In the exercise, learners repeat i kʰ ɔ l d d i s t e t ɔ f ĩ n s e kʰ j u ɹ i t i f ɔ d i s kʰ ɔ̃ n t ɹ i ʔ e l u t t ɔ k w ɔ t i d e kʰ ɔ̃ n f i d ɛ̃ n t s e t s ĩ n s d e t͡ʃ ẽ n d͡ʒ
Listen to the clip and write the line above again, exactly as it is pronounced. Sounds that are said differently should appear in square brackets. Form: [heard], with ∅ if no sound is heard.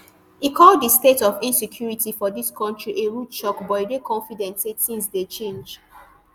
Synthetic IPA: i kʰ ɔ l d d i s t e t ɔ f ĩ n s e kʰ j u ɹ i t i f ɔ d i s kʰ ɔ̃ n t ɹ i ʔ e [ɹ] u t [t͡ʃ] ɔ k [b] ɔ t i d e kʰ ɔ̃ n f i d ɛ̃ n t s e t s ĩ n s d e t͡ʃ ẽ n d͡ʒ

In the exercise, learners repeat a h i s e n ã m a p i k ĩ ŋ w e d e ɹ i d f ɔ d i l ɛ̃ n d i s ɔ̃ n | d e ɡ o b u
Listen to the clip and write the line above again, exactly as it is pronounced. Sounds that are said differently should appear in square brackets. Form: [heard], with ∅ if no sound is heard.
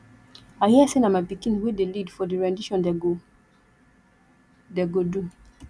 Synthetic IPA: a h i s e n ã m a p i k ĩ [n] w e d e [l] i d f ɔ d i [ɹ] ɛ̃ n d i [ʃ] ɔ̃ n | d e ɡ o [d] u

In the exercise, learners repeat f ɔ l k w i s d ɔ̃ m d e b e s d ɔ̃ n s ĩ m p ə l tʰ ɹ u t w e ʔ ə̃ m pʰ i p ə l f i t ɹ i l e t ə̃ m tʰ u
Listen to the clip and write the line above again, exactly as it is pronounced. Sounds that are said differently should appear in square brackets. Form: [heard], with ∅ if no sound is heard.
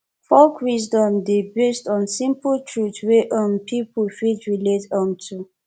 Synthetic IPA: f ɔ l k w i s d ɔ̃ m d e b e s [t] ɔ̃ n s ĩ m p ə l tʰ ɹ u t w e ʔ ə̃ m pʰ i p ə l f i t ɹ i l e t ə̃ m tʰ u

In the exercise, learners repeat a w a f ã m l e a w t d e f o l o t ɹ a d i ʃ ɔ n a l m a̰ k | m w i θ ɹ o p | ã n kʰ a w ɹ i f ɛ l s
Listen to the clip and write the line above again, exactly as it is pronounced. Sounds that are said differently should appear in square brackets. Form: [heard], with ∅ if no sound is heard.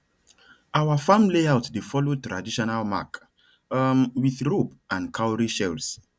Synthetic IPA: a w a f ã m l e a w t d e f [ɔ] l o t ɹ a d i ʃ ɔ n a l m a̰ k | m w i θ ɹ o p | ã n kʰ a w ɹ i [ʃ] ɛ l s

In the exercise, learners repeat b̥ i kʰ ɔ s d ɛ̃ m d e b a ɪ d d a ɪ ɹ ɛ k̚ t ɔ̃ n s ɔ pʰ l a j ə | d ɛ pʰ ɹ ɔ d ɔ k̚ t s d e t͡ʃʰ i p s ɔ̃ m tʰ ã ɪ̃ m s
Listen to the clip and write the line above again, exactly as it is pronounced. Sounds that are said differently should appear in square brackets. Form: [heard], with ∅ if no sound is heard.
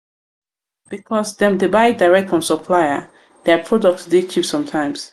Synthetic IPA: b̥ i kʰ ɔ s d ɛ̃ m d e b a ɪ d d a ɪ ɹ ɛ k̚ t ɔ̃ n s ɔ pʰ l a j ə | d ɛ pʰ ɹ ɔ d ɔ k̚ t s d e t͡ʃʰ i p s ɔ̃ m tʰ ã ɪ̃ m s

